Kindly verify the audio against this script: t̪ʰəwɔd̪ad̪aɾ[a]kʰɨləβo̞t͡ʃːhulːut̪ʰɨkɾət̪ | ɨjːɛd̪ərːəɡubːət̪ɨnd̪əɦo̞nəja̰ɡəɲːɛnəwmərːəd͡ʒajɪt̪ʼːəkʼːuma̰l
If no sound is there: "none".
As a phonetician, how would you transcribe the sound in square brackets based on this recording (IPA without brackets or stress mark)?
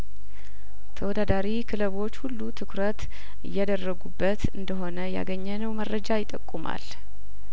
i